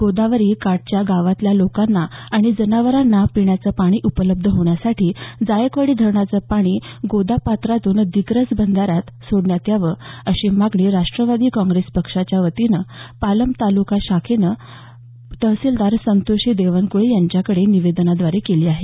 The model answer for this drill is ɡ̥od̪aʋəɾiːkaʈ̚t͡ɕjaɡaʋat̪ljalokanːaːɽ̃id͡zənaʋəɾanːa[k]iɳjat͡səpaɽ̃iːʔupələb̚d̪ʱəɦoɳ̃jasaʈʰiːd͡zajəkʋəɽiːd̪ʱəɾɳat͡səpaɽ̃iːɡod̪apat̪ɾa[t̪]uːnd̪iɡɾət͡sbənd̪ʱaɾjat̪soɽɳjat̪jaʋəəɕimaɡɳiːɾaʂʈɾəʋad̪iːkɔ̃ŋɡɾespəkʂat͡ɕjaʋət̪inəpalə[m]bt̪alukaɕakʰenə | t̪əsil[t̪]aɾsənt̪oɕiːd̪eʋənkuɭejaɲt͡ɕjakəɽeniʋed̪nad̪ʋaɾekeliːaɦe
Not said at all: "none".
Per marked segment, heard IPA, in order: p, t̪, m, d̪

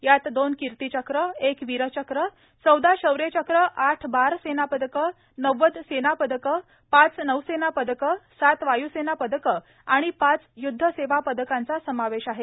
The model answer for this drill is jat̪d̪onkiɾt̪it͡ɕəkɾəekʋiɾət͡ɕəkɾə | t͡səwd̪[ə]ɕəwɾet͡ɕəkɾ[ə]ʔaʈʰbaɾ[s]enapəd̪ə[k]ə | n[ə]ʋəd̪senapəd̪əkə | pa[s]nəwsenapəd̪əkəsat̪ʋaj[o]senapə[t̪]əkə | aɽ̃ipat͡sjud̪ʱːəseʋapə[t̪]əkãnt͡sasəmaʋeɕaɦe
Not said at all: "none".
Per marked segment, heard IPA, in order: a, ə, s, k, ə, t͡s, u, d̪, d̪

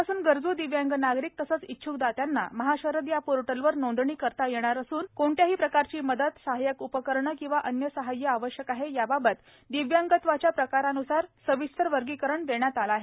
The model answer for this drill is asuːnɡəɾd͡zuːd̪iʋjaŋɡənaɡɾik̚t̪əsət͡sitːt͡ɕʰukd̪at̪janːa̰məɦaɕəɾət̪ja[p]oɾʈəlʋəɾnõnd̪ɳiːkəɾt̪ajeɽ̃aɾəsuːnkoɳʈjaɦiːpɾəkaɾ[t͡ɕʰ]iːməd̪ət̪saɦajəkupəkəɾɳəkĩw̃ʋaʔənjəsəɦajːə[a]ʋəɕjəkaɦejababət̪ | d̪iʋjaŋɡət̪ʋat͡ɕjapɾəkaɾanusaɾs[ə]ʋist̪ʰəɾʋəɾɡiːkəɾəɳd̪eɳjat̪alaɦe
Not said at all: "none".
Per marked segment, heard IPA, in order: p, t͡ɕ, a, ə

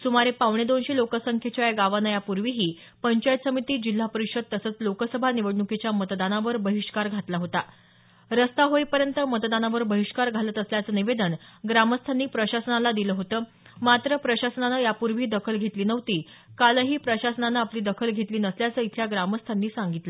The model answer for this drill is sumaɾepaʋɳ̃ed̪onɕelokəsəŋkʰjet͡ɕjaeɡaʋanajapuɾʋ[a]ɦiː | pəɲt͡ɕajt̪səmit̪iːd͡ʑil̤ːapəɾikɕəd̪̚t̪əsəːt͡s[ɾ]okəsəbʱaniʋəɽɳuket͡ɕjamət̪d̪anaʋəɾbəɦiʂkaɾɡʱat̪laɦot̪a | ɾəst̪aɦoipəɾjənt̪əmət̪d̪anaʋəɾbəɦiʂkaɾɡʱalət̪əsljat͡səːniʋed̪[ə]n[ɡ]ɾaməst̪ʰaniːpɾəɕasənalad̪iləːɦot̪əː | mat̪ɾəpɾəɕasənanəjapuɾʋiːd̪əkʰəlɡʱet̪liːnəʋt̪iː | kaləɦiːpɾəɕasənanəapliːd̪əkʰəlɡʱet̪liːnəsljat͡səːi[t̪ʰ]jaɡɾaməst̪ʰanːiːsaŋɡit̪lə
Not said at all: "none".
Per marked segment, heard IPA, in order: i, l, ə, ɡ, t̪ʰ

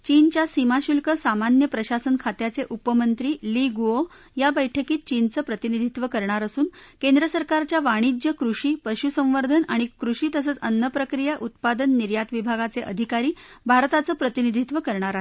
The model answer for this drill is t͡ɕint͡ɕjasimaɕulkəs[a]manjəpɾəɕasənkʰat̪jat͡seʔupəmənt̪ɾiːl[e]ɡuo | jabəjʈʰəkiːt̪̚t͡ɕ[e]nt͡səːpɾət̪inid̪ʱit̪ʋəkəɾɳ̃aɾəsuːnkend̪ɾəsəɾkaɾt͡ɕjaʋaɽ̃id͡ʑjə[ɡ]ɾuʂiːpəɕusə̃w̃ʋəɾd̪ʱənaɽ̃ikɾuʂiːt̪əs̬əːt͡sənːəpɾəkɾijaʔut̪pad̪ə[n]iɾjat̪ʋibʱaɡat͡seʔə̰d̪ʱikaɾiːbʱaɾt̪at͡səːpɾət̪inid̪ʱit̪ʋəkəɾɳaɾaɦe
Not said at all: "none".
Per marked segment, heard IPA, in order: a, i, i, k, nː

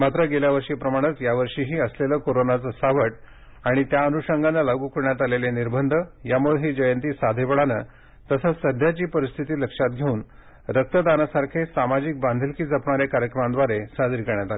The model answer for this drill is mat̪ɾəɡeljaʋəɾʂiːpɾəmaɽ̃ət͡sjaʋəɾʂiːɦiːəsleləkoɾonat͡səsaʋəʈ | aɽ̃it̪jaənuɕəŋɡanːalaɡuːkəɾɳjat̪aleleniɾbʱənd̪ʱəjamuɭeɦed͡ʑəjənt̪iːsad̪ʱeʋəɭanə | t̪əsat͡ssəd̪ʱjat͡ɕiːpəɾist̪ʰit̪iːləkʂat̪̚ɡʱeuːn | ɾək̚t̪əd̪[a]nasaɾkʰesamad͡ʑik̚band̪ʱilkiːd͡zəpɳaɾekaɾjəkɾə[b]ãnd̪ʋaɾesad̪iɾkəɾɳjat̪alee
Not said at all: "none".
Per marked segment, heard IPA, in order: a, m

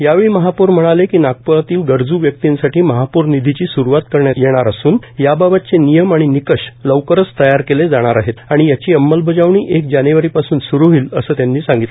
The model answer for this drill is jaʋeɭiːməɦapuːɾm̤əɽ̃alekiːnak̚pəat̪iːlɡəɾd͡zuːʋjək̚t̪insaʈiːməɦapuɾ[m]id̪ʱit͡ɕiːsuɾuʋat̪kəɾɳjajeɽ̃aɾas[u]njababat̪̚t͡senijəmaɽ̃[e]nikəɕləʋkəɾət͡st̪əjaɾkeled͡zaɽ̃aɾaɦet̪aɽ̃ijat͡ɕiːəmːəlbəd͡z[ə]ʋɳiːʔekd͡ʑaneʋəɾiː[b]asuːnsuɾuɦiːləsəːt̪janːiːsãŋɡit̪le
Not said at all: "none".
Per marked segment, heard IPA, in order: n, uː, i, a, p

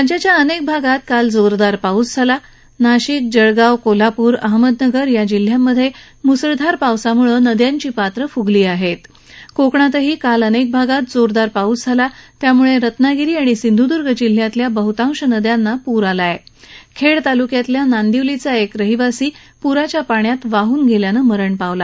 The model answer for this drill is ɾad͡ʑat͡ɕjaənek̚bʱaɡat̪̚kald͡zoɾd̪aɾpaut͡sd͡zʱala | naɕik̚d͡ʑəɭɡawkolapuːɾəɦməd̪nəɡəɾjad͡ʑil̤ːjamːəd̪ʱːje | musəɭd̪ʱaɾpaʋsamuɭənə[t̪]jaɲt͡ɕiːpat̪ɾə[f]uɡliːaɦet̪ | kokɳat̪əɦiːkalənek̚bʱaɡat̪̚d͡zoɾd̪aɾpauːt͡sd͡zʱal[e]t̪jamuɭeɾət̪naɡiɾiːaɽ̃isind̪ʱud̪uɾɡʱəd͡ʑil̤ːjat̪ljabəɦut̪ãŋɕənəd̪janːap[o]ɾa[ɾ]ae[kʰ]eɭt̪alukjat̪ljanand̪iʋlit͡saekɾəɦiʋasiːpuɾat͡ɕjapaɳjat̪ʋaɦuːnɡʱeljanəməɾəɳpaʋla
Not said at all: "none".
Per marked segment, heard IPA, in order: d̪, f, a, u, l, kʰ

